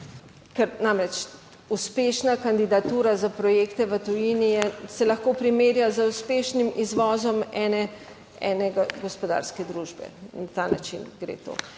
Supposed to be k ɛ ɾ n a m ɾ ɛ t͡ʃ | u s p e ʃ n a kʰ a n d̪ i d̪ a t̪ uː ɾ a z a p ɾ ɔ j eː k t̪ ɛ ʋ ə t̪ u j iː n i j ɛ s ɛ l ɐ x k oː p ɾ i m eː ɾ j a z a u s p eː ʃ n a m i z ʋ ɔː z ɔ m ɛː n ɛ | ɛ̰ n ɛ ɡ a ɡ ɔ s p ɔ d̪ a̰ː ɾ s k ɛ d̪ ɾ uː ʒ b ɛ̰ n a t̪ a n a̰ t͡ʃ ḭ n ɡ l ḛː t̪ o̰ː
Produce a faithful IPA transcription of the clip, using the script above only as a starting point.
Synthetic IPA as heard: k ɛ ɾ n a m ɾ ɛ t͡ʃ | u s p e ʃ n a k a n d̪ i d̪ a t̪ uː ɾ a z a p ɾ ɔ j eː k t̪ ɛ ʋ ə t̪ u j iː n i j ɛ s ɛ l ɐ x k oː p ɾ i m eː ɾ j a z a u s p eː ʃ n i m i z ʋ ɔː z ɔ m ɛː n ɛ | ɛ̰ n ɛ ɡ a ɡ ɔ s p ɔ d̪ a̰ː ɾ s k ɛ d̪ ɾ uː ʒ b ɛ̰ n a t̪ a n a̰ t͡ʃ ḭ n ɡ ɾ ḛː t̪ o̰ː